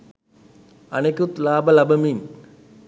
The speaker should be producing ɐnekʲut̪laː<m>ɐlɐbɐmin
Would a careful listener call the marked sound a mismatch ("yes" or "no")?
yes